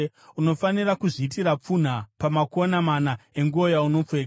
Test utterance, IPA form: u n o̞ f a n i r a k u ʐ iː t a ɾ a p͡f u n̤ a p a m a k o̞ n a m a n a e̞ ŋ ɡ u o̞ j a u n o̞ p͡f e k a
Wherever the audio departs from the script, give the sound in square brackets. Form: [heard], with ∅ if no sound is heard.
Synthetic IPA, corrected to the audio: u n o̞ f a n i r a k u ʐ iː t [i] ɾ a p͡f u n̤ a p a m a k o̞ n a m a n a e̞ ŋ ɡ u o̞ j a u n o̞ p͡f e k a

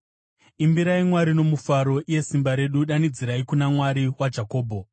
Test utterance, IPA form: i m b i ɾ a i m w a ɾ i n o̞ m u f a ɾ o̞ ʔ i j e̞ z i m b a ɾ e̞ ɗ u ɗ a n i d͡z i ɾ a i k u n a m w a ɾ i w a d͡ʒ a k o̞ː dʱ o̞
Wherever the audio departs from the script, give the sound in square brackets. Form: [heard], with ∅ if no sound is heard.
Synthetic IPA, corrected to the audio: i m b i ɾ a i m w a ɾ i n o̞ m u f a ɾ o̞ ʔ i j e̞ [s] i m b a ɾ e̞ ɗ u ɗ a n i d͡z i ɾ a i k u n a m w a ɾ i w a d͡ʒ a k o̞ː [bʱ] o̞

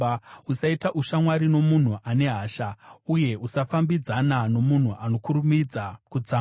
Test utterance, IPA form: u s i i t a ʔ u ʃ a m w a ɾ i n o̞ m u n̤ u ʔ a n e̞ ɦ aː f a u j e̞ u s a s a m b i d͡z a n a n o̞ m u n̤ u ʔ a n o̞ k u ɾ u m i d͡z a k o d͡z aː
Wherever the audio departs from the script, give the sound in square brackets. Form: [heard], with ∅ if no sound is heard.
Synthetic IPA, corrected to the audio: u s [a] i t a ʔ u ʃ a m w a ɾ i n o̞ m u n̤ u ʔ a n e̞ ɦ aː [ʃ] a u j e̞ u s a [f] a m b i d͡z a n a n o̞ m u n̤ u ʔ a n o̞ k u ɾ u m i d͡z a k [u] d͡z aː

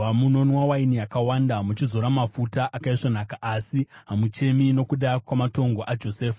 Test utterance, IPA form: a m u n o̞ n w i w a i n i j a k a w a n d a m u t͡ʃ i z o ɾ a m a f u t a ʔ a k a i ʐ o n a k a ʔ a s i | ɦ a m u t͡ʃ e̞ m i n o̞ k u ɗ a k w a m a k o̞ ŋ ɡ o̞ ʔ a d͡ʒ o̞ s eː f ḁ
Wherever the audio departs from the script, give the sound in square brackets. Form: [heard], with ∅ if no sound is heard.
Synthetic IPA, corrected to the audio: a m u n o̞ n w [a] w a i n i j a k a w a n d a m u t͡ʃ i z o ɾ a m a f u t a ʔ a k a i ʐ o n a k a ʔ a s i | ɦ a m u t͡ʃ e̞ m i n o̞ k u ɗ a k w a m a [t] o̞ ŋ ɡ o̞ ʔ a d͡ʒ o̞ s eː f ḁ

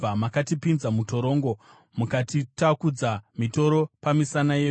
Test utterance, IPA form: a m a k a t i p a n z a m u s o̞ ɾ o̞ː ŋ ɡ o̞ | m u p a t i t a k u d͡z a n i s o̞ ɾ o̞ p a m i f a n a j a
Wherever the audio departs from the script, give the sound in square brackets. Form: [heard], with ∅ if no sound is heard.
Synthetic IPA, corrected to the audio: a m a k a t i p [i] n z a m u [t] o̞ ɾ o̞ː ŋ ɡ o̞ | m u [k] a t i t a k u d͡z a [m] i [t] o̞ ɾ o̞ p a m i [s] a n a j [e]

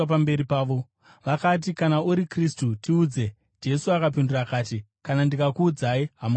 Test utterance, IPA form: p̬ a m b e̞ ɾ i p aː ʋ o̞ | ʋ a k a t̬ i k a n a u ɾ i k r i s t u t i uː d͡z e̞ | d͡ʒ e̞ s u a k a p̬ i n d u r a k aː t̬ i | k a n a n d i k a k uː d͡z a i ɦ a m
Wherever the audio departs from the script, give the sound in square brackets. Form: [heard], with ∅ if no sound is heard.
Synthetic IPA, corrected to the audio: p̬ a m b e̞ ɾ i p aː ʋ o̞ | ʋ a k a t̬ i k a n a u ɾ i k r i s t u t i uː d͡z e̞ | d͡ʒ e̞ s u a k a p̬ i n d u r a k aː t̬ i | k a n a n d i k a k uː d͡z a i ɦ a m

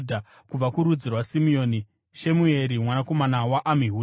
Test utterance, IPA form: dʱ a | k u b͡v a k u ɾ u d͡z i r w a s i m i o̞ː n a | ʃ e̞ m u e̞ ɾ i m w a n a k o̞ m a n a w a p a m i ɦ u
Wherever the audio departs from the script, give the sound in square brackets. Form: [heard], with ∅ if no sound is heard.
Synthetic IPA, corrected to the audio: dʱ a | k u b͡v a k u ɾ u d͡z i r w a s i m i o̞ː n [i] | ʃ e̞ m u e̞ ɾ i m w a n a k o̞ m a n a w a [ʔ] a m i ɦ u

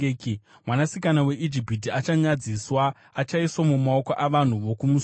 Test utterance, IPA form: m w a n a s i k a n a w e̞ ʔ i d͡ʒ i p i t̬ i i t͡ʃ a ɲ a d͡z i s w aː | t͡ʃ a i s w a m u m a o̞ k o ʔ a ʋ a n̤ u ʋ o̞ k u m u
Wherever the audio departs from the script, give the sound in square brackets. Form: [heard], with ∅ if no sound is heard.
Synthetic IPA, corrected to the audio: m w a n a s i k a n a w e̞ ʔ i d͡ʒ i p i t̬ i [a] t͡ʃ a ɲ a d͡z i s w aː | t͡ʃ a i s w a m u m a o̞ k o ʔ a ʋ a n̤ u ʋ o̞ k u m u

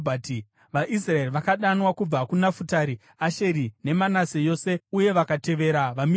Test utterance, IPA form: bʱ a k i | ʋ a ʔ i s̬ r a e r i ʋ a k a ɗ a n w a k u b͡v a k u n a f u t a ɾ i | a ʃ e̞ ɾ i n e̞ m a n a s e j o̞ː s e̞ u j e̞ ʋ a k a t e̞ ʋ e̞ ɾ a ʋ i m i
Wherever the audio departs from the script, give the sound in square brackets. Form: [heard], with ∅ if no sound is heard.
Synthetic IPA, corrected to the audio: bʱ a [t] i | ʋ a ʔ i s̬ r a e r i ʋ a k a ɗ a n w a k u b͡v a k u n a f u t a ɾ i | a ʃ e̞ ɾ i n e̞ m a n a s e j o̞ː s e̞ u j e̞ ʋ a k a t e̞ ʋ e̞ ɾ a ʋ [a] m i

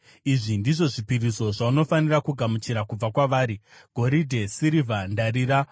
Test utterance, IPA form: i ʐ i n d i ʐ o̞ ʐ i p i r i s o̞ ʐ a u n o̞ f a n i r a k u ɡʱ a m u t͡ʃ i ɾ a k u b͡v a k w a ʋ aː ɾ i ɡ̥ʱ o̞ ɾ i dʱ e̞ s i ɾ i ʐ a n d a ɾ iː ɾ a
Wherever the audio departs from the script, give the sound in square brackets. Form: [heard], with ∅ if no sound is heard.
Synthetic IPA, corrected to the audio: i ʐ i n d i ʐ o̞ ʐ i p i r i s o̞ ʐ a u n o̞ f a n i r a k u ɡʱ a m u t͡ʃ i ɾ a k u b͡v a k w a ʋ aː ɾ i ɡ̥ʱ o̞ ɾ i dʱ e̞ s i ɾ i [v] a n d a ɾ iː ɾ a

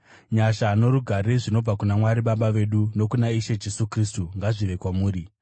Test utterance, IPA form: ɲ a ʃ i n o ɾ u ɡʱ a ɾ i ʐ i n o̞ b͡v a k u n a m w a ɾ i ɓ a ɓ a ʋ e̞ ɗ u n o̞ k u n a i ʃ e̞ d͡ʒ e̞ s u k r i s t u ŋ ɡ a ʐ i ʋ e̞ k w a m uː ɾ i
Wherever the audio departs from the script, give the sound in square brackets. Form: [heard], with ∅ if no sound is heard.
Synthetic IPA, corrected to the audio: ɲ a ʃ [a] n o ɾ u ɡʱ a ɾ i ʐ i n o̞ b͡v a k u n a m w a ɾ i ɓ a ɓ a ʋ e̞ ɗ u n o̞ k u n a i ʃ e̞ d͡ʒ e̞ s u k r i s t u ŋ ɡ a ʐ i ʋ e̞ k w a m uː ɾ i

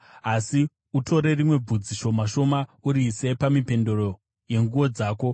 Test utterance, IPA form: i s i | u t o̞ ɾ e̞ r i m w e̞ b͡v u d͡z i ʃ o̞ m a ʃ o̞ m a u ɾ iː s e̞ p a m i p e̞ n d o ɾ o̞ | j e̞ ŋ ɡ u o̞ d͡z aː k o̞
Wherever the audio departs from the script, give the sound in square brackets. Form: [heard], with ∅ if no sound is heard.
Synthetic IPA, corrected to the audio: [a] s i | u t o̞ ɾ e̞ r i m w e̞ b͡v u d͡z i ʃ o̞ m a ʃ o̞ m a u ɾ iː s e̞ p a m i p e̞ n d o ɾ o̞ | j e̞ ŋ ɡ u o̞ d͡z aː k o̞

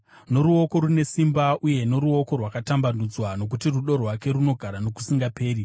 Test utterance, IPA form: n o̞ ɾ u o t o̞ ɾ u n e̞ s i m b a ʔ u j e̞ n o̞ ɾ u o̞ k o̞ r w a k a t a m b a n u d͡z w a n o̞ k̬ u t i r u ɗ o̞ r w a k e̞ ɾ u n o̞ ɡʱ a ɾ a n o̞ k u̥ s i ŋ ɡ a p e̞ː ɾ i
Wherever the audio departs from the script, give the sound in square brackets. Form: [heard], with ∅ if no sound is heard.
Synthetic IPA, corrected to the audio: n o̞ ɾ u o [k] o̞ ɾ u n e̞ s i m b a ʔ u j e̞ n o̞ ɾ u o̞ k o̞ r w a k a t a m b a n u d͡z w a n o̞ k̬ u t i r u ɗ o̞ r w a k e̞ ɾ u n o̞ ɡʱ a ɾ a n o̞ k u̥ s i ŋ ɡ a p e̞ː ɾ i

